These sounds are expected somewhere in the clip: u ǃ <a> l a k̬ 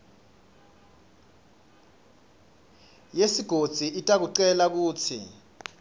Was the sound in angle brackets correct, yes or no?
no